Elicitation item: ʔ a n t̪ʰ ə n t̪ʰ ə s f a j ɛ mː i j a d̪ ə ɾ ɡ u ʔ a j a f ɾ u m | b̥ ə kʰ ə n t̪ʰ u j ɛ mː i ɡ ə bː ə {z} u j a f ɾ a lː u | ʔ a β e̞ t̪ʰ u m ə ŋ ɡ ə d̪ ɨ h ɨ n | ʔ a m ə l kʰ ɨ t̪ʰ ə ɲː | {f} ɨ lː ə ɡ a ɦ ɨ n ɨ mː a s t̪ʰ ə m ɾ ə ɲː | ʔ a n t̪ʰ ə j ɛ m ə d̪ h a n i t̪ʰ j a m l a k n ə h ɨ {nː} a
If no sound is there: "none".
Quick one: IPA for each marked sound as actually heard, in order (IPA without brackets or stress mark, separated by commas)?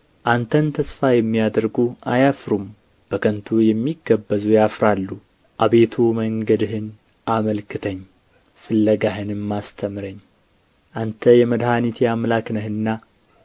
z, f, nː